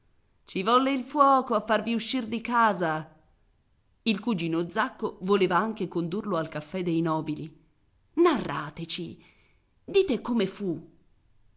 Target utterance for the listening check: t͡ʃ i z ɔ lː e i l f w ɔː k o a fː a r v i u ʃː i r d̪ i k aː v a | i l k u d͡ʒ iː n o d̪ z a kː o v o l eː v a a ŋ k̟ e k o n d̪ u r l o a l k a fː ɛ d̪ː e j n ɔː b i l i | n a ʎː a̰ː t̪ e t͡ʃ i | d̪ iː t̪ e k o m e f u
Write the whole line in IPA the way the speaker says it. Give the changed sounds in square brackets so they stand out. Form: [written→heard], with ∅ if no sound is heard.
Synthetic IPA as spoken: t͡ʃ i [z→v] ɔ lː e i l f w ɔː k o a fː a r v i u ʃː i r d̪ i k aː [v→z] a | i l k u d͡ʒ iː n o d̪ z a kː o v o l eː v a a ŋ k̟ e k o n d̪ u r l o a l k a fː ɛ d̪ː e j n ɔː b i l i | n a [ʎː→rː] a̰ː t̪ e t͡ʃ i | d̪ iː t̪ e k o m e f u